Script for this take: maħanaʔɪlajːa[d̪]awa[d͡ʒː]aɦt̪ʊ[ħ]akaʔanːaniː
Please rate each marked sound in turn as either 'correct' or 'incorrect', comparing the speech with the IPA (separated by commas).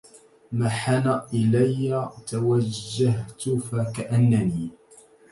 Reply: incorrect, correct, incorrect